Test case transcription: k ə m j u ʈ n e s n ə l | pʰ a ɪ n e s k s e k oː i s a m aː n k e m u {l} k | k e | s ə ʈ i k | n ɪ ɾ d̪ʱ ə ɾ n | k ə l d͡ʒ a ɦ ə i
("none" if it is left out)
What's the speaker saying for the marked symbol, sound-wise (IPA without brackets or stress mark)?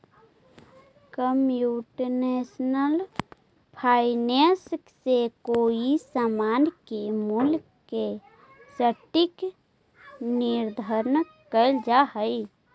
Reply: l